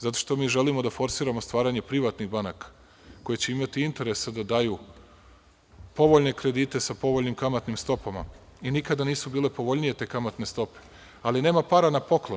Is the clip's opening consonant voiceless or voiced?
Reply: voiced